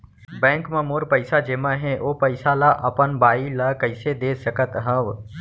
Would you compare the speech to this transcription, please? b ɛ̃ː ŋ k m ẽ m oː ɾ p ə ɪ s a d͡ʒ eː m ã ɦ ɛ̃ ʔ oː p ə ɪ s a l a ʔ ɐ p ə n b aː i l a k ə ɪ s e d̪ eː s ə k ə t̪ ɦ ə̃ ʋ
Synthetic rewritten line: b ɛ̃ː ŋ k m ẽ m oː ɾ p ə ɪ s a d͡ʒ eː m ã ɦ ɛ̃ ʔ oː p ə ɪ s a l a ʔ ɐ p ə n b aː i l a k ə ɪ s e d̪ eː s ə k ə t̪ ɦ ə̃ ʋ